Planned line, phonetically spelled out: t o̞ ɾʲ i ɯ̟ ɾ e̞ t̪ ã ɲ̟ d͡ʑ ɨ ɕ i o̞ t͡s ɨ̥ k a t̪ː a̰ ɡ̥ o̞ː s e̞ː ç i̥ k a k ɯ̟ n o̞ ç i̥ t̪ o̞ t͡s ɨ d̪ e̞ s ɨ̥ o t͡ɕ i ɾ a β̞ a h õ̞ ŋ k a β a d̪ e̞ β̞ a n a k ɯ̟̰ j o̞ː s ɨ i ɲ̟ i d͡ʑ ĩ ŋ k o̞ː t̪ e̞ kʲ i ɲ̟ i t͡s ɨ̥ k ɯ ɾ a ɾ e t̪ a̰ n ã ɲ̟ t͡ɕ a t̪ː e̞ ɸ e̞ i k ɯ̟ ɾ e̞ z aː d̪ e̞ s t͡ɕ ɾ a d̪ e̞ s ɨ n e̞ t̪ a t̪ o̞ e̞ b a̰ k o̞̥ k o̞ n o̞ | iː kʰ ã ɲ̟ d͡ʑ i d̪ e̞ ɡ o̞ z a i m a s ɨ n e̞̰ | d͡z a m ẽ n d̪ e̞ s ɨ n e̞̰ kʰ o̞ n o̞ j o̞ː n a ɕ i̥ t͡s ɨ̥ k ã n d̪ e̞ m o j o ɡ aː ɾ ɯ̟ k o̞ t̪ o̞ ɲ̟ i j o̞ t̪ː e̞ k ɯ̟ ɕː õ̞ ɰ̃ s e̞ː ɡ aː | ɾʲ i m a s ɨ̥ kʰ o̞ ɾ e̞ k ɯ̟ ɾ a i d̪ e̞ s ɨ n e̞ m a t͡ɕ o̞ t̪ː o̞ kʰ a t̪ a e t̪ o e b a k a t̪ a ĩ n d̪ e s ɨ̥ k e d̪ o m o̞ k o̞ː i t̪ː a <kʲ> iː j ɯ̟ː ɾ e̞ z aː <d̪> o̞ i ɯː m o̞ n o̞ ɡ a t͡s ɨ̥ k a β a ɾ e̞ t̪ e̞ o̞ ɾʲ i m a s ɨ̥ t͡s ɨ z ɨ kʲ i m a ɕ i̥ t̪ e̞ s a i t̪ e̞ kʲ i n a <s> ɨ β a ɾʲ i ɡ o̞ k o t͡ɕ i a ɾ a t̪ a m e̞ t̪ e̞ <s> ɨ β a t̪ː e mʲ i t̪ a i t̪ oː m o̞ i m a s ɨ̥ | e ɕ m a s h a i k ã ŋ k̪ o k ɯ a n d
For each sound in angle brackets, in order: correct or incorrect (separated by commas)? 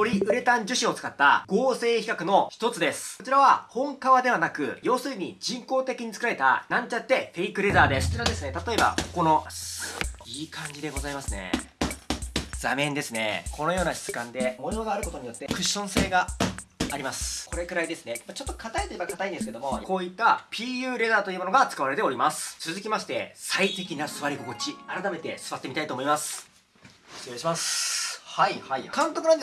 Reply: incorrect, incorrect, correct, correct